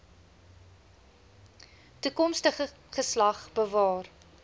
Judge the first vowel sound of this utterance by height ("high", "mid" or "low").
high